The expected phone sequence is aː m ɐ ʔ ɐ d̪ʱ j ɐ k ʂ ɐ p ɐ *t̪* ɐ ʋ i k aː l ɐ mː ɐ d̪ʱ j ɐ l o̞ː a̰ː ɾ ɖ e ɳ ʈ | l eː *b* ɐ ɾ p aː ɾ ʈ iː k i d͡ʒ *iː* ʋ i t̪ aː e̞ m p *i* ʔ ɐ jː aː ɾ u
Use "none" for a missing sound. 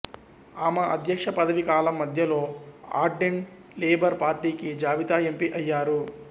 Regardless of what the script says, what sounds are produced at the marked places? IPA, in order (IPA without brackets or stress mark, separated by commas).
d̪, b, aː, i